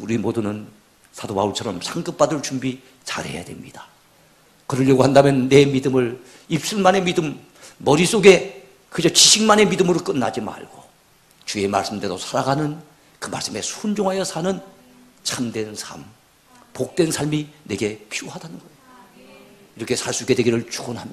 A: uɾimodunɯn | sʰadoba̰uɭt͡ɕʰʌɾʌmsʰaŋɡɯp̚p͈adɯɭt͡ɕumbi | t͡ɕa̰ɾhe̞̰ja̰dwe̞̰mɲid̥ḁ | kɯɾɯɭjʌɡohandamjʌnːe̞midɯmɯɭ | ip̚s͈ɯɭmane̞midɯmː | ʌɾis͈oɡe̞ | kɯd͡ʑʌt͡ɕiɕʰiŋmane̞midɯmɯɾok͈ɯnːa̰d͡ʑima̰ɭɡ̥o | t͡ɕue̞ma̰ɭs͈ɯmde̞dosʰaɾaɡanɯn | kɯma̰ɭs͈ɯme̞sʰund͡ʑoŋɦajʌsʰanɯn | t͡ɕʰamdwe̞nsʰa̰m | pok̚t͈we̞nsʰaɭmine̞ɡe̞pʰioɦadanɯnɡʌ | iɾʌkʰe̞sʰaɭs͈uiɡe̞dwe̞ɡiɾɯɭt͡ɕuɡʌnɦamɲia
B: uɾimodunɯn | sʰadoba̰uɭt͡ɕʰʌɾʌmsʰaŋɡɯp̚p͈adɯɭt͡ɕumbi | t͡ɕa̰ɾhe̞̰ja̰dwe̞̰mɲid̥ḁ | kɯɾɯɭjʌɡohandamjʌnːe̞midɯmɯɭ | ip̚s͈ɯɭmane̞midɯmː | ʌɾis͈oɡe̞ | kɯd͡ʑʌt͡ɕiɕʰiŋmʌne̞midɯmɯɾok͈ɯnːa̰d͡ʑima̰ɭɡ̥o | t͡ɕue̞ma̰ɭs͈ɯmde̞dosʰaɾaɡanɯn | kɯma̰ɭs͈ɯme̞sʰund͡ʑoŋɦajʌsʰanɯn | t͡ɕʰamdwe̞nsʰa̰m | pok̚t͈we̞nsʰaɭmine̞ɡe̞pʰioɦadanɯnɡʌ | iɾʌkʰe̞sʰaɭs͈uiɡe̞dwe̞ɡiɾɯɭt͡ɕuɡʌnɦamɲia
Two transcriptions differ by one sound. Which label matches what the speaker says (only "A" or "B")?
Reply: A